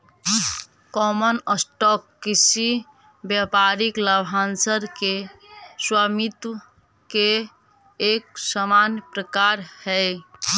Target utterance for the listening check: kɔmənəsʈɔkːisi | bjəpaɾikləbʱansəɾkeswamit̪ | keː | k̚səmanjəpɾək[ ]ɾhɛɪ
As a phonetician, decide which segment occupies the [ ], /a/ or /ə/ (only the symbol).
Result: a